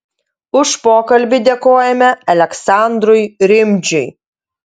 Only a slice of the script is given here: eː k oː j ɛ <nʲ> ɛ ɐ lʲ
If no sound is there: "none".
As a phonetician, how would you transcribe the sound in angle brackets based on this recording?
mʲ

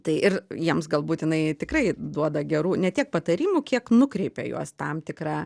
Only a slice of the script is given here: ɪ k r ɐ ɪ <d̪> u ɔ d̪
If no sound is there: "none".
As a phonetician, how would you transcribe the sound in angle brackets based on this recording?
d̪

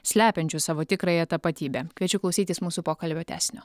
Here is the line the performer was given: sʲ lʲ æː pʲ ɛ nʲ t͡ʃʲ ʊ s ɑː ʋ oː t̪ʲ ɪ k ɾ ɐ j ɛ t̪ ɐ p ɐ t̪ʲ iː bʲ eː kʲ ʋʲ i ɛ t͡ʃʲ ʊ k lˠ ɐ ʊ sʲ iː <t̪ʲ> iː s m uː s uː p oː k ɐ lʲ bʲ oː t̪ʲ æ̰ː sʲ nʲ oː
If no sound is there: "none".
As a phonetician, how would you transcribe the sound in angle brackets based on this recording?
t̪ʲ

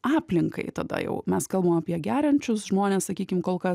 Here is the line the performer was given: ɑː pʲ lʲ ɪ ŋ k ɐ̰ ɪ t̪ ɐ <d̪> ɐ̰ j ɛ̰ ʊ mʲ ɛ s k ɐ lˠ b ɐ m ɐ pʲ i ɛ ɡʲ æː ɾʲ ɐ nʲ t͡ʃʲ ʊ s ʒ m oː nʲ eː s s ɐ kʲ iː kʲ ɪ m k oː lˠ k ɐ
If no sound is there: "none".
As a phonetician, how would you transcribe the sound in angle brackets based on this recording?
d̪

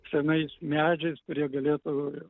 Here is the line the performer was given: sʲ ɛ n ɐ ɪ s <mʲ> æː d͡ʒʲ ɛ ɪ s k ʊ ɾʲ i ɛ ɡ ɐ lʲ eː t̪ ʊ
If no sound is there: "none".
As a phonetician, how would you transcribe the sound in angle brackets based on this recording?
mʲ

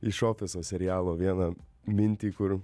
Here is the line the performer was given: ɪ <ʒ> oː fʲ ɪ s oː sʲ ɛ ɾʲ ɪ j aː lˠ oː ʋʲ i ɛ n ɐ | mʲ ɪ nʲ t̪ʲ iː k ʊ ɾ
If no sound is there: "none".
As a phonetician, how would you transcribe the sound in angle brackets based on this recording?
ʃ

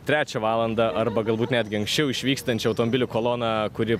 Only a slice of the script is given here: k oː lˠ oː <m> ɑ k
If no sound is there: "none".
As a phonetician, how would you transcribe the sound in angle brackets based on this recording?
n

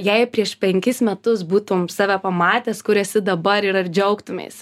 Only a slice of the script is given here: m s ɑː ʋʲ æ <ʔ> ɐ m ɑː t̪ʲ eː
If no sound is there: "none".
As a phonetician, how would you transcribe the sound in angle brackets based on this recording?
p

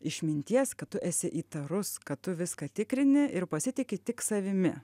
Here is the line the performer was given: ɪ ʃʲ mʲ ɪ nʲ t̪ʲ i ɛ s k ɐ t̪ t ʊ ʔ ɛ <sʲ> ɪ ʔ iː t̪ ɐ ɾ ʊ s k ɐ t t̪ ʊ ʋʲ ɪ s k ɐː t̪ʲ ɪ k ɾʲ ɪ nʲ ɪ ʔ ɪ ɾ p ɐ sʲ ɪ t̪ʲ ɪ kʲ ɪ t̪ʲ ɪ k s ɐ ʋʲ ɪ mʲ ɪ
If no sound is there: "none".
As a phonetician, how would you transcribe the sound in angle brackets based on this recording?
sʲ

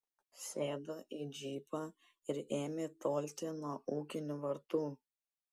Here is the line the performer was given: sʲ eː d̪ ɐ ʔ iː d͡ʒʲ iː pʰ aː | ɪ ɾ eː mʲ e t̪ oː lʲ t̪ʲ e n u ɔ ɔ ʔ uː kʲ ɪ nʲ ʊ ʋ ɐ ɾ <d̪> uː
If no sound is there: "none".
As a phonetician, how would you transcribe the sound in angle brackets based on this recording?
t̪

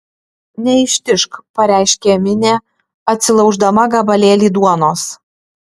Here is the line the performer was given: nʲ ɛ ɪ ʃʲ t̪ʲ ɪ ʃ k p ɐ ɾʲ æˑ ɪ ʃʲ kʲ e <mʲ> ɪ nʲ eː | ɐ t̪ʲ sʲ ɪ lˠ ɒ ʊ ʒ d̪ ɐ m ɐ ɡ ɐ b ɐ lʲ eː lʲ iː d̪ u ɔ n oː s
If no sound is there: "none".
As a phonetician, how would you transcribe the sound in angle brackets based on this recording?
mʲ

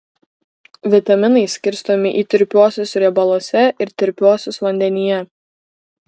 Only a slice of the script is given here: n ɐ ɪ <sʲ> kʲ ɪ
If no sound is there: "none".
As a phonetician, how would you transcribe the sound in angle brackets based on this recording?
sʲ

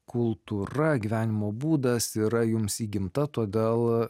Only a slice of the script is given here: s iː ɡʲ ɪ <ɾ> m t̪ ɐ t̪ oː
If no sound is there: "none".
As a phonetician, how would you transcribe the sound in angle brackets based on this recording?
none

